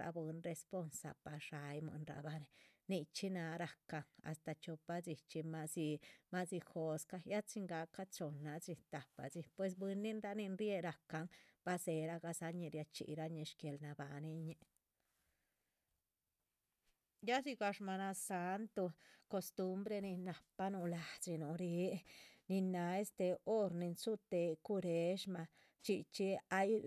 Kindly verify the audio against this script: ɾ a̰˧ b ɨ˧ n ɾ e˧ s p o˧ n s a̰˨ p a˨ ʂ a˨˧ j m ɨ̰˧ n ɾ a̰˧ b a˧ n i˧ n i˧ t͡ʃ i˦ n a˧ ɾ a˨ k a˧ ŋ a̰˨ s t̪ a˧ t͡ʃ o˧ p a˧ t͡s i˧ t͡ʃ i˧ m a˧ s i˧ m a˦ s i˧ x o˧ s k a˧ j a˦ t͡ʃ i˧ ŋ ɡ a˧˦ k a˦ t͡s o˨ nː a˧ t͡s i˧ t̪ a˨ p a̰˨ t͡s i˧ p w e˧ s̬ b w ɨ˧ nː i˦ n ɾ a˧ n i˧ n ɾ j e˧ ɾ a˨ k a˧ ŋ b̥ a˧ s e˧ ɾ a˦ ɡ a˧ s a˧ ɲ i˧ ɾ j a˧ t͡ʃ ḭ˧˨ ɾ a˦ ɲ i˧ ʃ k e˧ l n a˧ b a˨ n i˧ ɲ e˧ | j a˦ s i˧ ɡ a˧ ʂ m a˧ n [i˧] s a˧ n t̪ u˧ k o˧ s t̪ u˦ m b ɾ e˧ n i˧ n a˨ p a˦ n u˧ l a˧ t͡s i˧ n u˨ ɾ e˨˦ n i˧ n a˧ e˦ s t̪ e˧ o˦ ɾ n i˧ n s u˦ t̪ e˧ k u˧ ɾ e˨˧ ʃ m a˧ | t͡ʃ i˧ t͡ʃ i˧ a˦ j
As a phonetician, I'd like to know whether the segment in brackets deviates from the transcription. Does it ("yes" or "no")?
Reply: yes